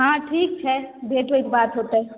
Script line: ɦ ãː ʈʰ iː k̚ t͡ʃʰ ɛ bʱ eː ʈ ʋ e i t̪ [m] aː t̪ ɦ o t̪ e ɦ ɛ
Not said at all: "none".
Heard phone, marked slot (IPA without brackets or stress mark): b